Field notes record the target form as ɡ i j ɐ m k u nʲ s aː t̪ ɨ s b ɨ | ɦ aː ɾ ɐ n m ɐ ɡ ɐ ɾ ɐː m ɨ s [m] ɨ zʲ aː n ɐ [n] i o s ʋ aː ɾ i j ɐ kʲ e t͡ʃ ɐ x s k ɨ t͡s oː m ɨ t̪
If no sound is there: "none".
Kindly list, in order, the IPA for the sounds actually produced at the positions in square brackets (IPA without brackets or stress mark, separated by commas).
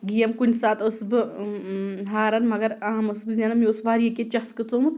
b, m